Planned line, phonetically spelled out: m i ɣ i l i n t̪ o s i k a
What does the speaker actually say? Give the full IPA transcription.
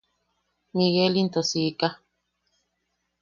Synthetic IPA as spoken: m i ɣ e l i n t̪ o s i k a